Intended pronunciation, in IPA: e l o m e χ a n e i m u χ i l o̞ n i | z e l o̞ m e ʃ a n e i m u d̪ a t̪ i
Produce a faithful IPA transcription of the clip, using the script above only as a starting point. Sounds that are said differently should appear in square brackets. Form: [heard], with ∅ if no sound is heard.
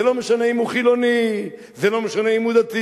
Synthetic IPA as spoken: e l o m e [ʃ] a n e i m u χ i l o̞ n i | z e l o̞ m e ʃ a n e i m u d̪ a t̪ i